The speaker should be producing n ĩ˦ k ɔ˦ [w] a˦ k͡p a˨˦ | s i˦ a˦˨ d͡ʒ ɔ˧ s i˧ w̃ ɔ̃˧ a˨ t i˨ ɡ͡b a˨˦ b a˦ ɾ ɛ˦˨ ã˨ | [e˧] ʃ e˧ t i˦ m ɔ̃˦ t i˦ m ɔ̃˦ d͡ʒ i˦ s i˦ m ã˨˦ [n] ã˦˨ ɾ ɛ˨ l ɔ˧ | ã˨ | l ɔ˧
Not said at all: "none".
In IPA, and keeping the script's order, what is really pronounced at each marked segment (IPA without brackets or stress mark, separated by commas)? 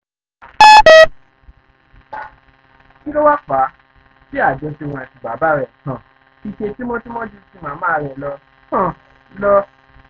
w, i˧, m